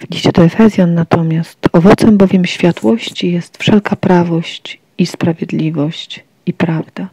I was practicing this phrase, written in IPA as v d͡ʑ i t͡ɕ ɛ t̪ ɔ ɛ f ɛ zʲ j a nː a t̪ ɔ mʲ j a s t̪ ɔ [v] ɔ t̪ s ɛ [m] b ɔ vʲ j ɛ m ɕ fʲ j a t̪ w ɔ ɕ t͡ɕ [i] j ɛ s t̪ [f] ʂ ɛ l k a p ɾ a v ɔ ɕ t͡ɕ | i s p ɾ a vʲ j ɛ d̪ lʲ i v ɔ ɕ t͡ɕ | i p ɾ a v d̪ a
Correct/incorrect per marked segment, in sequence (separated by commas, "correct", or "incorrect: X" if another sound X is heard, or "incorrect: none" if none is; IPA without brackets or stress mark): correct, correct, correct, correct